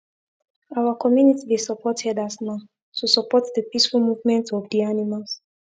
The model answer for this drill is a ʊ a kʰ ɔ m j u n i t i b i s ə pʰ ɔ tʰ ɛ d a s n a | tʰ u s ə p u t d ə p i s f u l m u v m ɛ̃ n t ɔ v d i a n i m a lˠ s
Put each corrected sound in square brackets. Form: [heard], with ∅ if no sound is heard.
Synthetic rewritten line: a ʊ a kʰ ɔ m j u n i t i b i s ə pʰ ɔ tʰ ɛ d a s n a | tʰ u s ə p [ɔ] t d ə p i s f u l m u v m ɛ̃ n t ɔ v d i a n i m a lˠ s

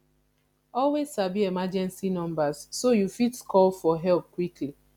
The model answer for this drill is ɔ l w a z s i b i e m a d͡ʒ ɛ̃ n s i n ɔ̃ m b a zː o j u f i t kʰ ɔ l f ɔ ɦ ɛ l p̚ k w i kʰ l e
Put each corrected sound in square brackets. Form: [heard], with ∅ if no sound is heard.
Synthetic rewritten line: ɔ l w [e] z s [a] b i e m a d͡ʒ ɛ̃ n s i n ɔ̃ m b a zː o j u f i t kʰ ɔ l f ɔ ɦ ɛ l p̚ k w i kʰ l [i]

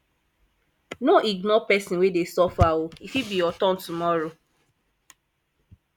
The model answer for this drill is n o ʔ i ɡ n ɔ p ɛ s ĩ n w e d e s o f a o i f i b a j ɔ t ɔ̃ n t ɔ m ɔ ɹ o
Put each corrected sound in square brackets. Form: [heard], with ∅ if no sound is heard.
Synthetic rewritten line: n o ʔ i ɡ n ɔ p ɛ s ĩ n w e d e s [ɔ] f a o i f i b [i] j ɔ t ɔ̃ n t [u] m ɔ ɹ o

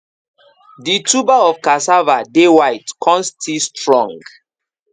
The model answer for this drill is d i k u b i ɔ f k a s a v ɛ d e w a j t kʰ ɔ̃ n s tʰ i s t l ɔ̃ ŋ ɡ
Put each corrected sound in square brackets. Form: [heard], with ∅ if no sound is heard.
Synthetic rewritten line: d i [t] u b [a] ɔ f k a s a v [a] d e w a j t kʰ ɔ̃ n s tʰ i s t [ɹ] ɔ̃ ŋ ɡ

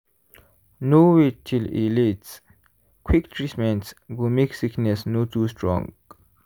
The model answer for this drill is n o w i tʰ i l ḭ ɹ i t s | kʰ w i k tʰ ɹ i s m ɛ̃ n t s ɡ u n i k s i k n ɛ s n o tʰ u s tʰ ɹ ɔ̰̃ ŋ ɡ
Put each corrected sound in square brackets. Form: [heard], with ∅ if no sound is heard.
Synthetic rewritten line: n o w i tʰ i l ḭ [l] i t s | kʰ w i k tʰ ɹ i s m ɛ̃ n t s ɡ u [m] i k s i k n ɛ s n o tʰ u s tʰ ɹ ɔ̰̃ ŋ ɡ

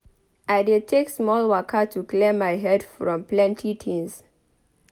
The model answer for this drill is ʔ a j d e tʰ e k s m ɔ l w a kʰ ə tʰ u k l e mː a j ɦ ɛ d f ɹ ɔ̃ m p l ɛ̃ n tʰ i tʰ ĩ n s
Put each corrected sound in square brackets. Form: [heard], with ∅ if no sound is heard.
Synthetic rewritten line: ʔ a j d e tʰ e k s m ɔ l w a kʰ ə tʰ u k l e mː a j ɦ ɛ d f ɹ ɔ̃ m p l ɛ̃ n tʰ i tʰ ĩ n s

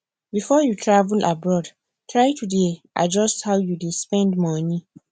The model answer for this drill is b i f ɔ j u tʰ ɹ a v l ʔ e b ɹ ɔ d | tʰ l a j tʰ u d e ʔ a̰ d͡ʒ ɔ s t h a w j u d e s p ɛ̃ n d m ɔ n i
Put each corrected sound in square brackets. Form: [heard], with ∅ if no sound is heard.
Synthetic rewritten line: b i f ɔ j u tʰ ɹ a v l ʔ [a] b ɹ ɔ d | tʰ [ɹ] a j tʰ u d e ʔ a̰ d͡ʒ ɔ s t h a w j u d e s p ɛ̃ n d m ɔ n i

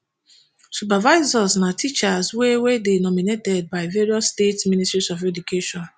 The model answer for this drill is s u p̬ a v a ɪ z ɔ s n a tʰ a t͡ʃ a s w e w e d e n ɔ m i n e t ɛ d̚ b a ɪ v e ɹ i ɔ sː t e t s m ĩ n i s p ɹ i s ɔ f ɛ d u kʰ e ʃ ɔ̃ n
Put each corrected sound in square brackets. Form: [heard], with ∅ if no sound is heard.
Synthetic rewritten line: s u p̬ a v a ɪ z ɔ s n a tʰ [i] t͡ʃ a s w e w e d e n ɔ m i n e t ɛ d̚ b a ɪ v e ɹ i ɔ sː t e t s m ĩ n i s [t] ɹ i s ɔ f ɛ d u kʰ e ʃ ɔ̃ n

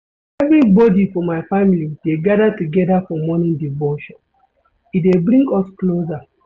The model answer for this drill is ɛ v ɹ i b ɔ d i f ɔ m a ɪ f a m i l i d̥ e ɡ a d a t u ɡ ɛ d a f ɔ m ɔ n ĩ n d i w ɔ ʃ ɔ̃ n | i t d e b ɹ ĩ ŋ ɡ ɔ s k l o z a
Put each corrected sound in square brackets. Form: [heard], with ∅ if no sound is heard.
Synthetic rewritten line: ɛ v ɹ i b ɔ d i f ɔ m a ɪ f a m i l i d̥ e ɡ a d a t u ɡ ɛ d a f ɔ m ɔ n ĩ n d i [v] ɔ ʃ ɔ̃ n | i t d e b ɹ ĩ ŋ ɡ ɔ s k l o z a

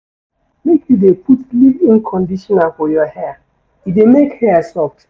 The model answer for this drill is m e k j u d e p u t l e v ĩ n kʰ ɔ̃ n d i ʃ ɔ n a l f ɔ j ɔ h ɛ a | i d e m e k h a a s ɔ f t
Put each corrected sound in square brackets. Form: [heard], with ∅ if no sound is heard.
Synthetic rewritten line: m e k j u d e p u t l [i] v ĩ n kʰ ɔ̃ n d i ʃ ɔ n a l f ɔ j ɔ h ɛ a | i d e m e k h [ɛ] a s ɔ f t

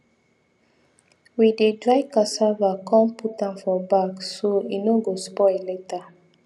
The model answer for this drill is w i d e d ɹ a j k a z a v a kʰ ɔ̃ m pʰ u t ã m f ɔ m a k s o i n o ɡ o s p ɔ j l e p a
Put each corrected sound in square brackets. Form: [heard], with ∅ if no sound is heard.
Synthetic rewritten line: w i d e d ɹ a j k a [s] a v a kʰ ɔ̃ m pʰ u t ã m f ɔ [b] a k s o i n o ɡ o s p ɔ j l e [t] a

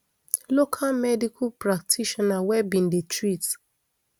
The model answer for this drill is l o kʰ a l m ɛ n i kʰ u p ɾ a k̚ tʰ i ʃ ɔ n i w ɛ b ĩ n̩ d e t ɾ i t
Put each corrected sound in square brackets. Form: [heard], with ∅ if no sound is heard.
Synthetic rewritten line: l o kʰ a l m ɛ [d] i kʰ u p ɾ a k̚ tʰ i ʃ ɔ n [a] w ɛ b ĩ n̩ d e t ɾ i t

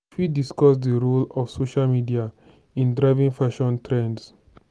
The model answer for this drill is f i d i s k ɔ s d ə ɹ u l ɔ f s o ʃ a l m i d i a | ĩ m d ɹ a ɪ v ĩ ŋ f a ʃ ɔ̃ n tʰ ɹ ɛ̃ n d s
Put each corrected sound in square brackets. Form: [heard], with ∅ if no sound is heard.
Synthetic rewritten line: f i d i s k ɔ s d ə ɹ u l ɔ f s o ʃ a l m i d i a | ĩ [n] d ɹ a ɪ v ĩ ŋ f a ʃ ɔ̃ n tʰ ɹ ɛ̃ n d s

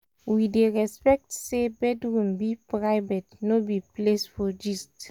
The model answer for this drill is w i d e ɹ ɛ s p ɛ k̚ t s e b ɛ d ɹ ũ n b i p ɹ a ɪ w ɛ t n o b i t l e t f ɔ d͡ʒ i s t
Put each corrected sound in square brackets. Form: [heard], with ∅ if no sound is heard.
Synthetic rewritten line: w i d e ɹ ɛ s p ɛ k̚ t s e b ɛ d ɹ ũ [m] b i p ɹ a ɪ [v] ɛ t n o b i [p] l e [s] f ɔ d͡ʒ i s t

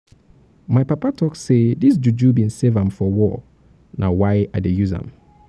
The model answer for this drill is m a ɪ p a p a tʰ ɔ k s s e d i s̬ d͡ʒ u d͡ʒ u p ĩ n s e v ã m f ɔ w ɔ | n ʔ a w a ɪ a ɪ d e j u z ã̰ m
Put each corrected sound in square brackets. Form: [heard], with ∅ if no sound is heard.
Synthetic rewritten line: m a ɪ p a p a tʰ ɔ k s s e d i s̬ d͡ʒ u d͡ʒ u [b] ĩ n s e v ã m f ɔ w ɔ | n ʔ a w a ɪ a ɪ d e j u z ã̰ m

